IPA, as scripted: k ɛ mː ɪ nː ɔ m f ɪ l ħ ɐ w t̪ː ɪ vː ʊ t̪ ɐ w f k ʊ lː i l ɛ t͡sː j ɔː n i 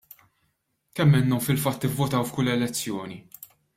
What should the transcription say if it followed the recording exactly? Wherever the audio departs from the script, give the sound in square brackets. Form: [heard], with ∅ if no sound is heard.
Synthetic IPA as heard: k ɛ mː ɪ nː ɔ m f ɪ l [f] ɐ [∅] t̪ː ɪ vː ʊ t̪ ɐ w f k ʊ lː [ɛ] l ɛ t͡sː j ɔː n i